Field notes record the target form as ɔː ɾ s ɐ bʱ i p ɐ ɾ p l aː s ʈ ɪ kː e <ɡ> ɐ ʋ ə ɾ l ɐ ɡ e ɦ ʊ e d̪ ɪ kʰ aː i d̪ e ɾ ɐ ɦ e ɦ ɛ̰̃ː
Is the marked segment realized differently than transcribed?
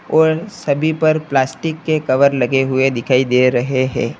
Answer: yes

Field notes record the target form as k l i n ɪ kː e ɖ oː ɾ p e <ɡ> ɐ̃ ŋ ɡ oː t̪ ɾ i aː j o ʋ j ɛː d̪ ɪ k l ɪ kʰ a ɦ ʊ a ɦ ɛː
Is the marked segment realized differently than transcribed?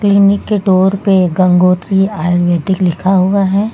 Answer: no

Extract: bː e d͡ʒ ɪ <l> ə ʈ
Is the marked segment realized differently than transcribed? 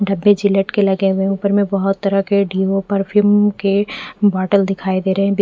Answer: no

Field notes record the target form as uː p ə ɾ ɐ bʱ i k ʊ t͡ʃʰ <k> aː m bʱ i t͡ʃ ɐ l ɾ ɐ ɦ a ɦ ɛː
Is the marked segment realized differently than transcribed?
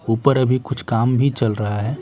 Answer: no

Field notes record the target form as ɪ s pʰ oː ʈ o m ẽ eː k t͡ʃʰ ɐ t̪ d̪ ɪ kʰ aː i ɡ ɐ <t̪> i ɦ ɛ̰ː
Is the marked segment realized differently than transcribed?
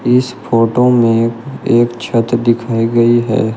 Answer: yes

